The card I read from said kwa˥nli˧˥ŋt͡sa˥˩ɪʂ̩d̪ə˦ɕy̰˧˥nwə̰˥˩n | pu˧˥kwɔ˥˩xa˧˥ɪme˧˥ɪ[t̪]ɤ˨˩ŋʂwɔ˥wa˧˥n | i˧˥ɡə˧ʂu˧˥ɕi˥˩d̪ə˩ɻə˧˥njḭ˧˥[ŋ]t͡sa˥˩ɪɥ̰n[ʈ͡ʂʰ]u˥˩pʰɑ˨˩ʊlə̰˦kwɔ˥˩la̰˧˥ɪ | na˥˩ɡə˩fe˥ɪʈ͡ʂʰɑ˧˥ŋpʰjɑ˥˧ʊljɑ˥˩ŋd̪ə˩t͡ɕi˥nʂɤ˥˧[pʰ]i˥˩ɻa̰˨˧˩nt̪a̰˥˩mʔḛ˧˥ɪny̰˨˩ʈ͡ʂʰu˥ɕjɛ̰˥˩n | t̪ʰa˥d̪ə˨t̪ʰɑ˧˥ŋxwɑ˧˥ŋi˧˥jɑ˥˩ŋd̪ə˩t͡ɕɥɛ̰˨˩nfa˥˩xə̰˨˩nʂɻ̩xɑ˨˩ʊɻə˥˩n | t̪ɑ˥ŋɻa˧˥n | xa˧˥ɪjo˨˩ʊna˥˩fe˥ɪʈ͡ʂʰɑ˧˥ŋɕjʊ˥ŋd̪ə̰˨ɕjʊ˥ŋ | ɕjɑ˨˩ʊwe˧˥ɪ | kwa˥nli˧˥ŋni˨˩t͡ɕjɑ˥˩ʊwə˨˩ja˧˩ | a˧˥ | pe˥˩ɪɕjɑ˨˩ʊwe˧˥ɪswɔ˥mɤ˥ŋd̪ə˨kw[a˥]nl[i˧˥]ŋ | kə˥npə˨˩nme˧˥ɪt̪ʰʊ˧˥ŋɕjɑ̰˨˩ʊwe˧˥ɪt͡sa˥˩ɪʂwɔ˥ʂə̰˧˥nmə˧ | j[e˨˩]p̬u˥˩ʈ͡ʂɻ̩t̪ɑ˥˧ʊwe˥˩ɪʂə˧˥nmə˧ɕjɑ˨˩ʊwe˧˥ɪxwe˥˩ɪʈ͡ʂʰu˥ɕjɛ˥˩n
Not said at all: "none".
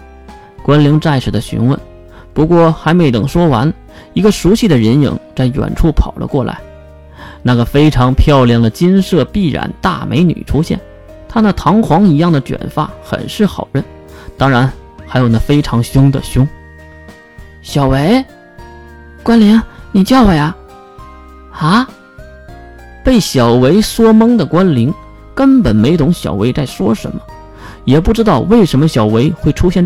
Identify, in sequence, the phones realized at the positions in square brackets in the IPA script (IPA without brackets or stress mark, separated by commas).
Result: t̪, ŋ, ʈ͡ʂʰ, p, a˥, i˧˥, ɛ˨˩